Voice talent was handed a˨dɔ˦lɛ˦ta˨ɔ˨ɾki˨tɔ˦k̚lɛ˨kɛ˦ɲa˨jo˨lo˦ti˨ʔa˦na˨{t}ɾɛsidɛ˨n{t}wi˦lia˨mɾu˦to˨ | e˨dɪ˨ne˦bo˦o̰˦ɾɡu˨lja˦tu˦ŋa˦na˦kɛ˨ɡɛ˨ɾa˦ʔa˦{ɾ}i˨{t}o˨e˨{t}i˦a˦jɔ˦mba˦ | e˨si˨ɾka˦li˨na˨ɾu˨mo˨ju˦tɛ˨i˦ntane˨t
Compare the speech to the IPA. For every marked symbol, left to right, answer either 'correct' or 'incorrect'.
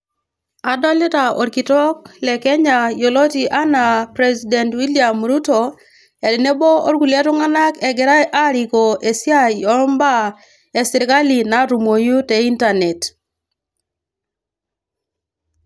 incorrect, correct, correct, incorrect, incorrect

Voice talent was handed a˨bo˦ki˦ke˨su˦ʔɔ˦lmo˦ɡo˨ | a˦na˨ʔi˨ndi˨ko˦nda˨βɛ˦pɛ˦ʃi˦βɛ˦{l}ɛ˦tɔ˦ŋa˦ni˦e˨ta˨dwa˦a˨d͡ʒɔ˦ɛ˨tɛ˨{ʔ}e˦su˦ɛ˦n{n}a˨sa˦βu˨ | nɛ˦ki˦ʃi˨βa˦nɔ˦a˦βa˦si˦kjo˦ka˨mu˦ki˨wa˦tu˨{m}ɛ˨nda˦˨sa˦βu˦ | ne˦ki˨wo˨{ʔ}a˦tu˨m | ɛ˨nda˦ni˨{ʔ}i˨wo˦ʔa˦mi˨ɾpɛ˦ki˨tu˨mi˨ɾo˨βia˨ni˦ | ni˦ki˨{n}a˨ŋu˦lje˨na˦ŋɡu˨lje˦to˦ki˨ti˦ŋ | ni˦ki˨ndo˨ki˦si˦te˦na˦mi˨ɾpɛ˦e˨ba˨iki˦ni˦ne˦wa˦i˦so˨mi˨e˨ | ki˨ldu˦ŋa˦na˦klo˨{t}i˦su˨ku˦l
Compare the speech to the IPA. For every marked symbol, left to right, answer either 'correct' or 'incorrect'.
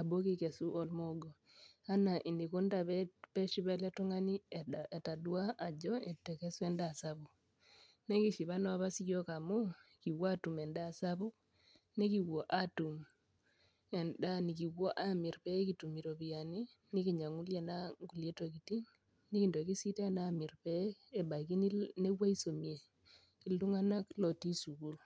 correct, incorrect, incorrect, correct, correct, incorrect, incorrect, correct

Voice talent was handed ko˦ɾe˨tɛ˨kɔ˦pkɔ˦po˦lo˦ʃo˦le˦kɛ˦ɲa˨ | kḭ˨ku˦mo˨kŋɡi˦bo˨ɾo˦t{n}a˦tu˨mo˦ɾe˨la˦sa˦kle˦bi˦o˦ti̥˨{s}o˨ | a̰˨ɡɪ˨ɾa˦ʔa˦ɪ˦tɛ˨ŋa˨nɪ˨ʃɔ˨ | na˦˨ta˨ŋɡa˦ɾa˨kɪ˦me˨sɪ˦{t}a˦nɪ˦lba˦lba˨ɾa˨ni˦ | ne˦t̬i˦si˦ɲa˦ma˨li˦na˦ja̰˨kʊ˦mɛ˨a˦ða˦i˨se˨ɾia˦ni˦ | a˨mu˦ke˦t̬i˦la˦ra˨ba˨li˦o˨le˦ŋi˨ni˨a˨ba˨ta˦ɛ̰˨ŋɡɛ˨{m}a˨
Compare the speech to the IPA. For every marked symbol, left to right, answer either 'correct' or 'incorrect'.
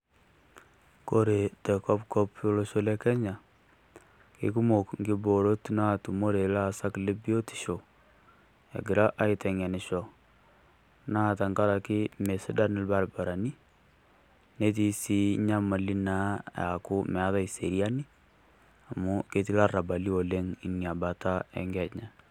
correct, incorrect, incorrect, incorrect

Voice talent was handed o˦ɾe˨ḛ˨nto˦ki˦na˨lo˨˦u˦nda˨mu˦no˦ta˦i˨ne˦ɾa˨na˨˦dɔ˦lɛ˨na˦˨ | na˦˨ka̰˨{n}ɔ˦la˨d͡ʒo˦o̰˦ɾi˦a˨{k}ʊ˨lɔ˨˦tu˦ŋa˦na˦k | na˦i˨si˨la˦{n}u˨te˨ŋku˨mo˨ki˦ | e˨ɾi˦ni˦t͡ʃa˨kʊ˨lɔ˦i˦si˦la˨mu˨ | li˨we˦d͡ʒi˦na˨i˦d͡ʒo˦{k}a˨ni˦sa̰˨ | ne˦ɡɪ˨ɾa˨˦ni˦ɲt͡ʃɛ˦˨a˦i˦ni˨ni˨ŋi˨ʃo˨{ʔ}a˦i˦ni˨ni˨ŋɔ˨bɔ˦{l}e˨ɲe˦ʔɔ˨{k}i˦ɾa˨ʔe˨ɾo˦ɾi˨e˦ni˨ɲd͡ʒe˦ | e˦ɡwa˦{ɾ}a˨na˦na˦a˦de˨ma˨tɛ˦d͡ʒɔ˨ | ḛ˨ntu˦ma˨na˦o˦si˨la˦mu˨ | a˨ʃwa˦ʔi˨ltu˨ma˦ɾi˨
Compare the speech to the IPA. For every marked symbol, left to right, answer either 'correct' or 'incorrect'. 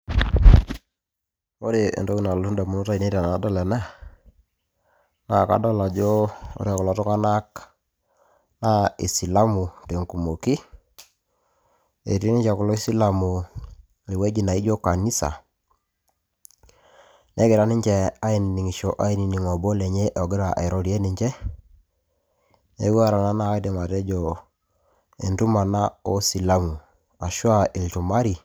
incorrect, correct, incorrect, correct, correct, correct, incorrect, correct

